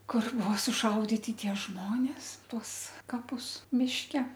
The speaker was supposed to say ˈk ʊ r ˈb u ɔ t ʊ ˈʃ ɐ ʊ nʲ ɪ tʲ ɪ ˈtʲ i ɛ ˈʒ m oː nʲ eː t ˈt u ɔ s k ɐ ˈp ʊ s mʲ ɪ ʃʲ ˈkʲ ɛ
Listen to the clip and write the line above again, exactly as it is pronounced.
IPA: ˈk ʊ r ˈb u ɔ s ʊ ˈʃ ɐ ʊ dʲ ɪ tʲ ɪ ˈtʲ i ɛ ˈʒ m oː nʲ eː s ˈt u ɔ s k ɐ ˈp ʊ s mʲ ɪ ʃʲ ˈkʲ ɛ